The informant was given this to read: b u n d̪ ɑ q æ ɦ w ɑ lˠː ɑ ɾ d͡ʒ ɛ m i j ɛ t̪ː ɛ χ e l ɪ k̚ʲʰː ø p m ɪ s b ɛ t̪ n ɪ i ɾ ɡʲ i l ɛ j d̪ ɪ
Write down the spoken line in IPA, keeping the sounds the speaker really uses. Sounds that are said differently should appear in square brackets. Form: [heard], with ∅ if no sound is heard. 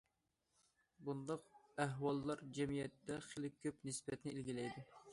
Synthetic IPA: b u n d̪ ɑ q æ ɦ w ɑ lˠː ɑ ɾ d͡ʒ ɛ m i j ɛ t̪ː ɛ χ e l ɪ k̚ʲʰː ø p [n] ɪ s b ɛ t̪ n ɪ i [l] ɡʲ i l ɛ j d̪ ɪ

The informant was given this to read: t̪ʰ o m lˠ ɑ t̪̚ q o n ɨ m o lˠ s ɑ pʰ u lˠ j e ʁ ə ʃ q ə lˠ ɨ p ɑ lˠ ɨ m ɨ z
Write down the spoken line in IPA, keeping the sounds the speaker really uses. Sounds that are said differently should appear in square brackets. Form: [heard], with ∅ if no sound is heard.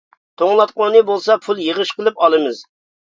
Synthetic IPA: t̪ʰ o [ŋ] lˠ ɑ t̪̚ q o n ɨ [b] o lˠ s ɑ pʰ u lˠ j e ʁ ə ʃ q ə lˠ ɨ p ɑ lˠ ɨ m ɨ z

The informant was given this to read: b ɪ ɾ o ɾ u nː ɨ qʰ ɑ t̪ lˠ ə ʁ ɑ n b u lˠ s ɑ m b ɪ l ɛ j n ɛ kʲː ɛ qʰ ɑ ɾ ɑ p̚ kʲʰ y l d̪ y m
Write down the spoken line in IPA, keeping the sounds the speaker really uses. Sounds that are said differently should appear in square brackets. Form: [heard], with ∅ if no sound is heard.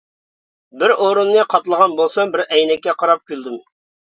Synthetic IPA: b ɪ ɾ o ɾ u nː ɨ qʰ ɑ t̪ lˠ ə ʁ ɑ n b [o] lˠ s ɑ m b ɪ [ɾ] ɛ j n ɛ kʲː ɛ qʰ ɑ ɾ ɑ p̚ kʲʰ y l d̪ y m

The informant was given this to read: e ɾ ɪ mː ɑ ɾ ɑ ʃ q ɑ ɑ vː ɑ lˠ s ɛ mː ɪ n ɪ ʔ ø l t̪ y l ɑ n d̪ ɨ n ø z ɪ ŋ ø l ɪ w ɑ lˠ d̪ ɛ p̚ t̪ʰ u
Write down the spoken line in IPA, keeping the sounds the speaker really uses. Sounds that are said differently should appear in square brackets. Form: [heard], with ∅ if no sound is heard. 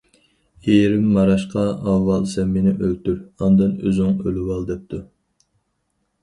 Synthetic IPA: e ɾ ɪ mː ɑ ɾ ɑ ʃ q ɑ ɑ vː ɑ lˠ s ɛ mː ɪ n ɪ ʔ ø l t̪ y [ɾ] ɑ n d̪ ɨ n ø z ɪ ŋ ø l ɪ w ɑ lˠ d̪ ɛ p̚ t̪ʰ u

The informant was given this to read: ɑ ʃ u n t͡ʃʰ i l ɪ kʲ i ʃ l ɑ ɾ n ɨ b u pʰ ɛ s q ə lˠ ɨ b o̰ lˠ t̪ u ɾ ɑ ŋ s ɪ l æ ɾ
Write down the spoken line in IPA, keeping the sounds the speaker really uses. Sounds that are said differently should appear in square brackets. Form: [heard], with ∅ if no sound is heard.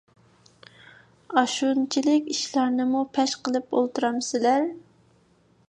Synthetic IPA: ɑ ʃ u n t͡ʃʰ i l ɪ kʲ i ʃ l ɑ ɾ n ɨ [m] u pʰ ɛ [ʃ] q ə lˠ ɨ [p] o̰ lˠ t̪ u ɾ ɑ [m] s ɪ l æ ɾ

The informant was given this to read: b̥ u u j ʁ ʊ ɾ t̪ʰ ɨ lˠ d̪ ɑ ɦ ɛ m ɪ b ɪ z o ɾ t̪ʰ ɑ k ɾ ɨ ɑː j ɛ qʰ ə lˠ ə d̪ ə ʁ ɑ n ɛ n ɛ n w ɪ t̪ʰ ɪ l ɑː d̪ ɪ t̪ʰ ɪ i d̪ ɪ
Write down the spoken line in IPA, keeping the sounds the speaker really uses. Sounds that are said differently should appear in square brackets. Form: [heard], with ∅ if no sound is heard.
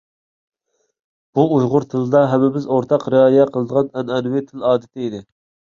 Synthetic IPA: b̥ u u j ʁ ʊ ɾ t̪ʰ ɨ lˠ d̪ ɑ ɦ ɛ m ɪ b ɪ z o ɾ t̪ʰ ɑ [q] ɾ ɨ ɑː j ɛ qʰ ə lˠ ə d̪ ə ʁ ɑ n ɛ n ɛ n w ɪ t̪ʰ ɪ l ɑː d̪ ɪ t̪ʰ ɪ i d̪ ɪ

